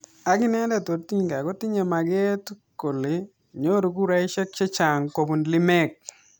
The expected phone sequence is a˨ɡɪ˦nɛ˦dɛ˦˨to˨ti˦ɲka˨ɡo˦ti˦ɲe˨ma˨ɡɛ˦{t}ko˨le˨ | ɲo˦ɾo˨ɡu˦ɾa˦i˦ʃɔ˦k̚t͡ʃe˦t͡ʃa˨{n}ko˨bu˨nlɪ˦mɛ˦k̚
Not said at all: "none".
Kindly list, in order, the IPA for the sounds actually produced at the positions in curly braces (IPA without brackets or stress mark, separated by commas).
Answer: t, ŋ